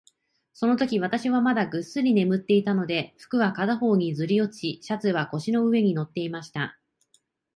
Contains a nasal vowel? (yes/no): no